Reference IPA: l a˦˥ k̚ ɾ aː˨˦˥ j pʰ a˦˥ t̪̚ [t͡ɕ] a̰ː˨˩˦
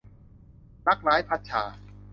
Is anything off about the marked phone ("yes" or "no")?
yes